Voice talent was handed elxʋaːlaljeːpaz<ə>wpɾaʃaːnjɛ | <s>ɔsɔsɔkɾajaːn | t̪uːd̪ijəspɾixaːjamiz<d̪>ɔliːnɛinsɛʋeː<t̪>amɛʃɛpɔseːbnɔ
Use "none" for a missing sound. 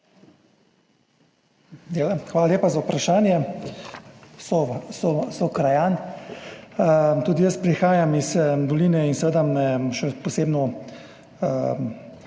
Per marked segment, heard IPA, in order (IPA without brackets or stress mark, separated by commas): a, s, d̪, d̪